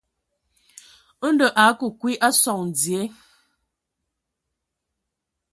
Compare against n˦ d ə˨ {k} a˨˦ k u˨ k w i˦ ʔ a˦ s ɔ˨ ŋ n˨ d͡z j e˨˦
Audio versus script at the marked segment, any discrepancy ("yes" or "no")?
yes